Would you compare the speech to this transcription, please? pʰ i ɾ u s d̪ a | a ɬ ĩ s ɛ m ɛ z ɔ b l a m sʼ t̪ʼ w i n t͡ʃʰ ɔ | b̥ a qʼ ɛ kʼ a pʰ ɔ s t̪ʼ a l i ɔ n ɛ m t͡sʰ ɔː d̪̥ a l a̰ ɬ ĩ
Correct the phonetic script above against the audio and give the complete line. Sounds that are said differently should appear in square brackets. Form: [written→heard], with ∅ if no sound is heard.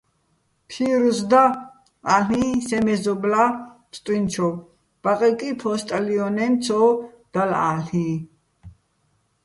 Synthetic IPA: pʰ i ɾ u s d̪ a | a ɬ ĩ s ɛ m ɛ z ɔ b l a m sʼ t̪ʼ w i n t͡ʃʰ ɔ | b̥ a qʼ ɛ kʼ [a→i] pʰ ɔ s t̪ʼ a l i ɔ n ɛ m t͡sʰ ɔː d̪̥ a l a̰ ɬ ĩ